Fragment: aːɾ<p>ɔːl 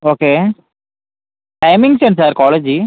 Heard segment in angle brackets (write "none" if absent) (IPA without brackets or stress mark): k